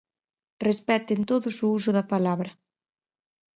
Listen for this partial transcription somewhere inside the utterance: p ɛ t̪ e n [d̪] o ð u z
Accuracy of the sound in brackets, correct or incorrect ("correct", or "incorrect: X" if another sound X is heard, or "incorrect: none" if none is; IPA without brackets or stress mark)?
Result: incorrect: t̪